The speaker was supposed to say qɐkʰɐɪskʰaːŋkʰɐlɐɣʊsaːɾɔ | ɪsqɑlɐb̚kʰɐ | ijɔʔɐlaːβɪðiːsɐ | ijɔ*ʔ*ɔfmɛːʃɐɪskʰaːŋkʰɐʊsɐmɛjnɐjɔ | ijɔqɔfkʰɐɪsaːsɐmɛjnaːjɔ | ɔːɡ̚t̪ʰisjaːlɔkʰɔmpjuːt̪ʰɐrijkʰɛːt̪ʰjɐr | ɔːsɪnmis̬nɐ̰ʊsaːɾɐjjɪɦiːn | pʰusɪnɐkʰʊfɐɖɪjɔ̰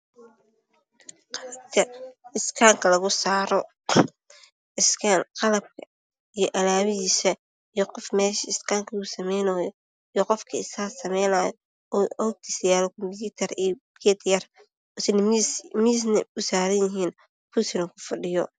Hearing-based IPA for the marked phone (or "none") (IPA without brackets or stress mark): q